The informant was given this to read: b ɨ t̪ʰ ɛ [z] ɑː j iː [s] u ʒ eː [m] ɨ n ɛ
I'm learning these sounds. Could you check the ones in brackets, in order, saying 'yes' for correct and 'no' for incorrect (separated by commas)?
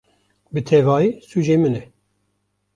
no, yes, yes